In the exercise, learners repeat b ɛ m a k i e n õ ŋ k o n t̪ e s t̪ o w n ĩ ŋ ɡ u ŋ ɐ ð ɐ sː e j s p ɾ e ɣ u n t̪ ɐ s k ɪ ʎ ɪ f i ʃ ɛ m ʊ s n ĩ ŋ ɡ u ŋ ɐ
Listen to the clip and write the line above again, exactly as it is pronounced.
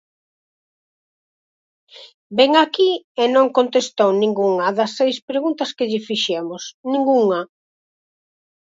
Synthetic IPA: b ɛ ŋ a k i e n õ ŋ k o n t̪ e s t̪ o w n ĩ ŋ ɡ u ŋ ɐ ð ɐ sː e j s p ɾ e ɣ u n t̪ ɐ s k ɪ ʎ ɪ f i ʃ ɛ m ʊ s n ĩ ŋ ɡ u ŋ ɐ